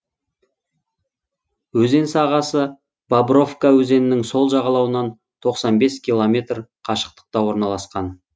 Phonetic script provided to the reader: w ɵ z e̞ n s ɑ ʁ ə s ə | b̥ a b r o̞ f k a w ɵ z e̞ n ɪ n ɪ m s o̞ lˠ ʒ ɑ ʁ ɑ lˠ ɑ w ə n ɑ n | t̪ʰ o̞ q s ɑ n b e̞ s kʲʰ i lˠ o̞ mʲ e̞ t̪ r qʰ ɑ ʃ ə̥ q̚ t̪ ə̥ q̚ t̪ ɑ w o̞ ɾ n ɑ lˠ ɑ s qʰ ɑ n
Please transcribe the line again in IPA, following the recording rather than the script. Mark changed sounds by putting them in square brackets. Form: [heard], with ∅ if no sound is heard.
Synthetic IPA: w ɵ z e̞ n s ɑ ʁ [ɑ] s ə | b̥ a b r o̞ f k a w ɵ z e̞ n ɪ n ɪ [ŋ] s o̞ lˠ ʒ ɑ ʁ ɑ lˠ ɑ w ə n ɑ n | t̪ʰ o̞ q s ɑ n b e̞ s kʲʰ i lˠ o̞ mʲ e̞ t̪ r qʰ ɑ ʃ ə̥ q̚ t̪ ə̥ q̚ t̪ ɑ w o̞ ɾ n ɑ lˠ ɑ s [q] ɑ n